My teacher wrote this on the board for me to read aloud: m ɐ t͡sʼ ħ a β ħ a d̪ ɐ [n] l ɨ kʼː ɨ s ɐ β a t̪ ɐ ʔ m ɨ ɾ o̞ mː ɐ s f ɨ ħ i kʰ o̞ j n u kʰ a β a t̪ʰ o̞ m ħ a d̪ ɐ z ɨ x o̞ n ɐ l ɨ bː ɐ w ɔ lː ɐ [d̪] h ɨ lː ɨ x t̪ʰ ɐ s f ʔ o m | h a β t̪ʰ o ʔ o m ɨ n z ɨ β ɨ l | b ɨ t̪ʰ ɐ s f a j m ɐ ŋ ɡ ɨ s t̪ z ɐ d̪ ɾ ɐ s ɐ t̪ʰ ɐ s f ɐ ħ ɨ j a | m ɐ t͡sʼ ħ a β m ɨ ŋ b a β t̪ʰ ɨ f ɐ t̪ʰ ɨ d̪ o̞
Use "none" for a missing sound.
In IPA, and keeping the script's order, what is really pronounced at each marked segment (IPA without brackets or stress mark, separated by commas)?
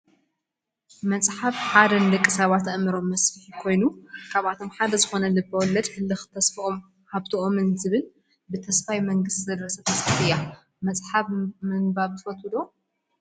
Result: n, d̪